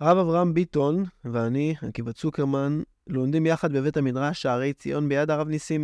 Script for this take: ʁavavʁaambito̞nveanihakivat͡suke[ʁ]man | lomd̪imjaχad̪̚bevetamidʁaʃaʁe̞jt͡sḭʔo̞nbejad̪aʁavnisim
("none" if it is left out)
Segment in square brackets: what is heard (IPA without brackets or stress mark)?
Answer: ʁ